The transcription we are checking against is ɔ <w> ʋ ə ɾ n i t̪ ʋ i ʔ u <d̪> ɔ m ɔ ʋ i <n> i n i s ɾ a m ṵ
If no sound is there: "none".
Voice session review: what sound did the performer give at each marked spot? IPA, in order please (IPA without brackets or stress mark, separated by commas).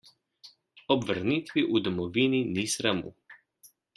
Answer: b, d̪, n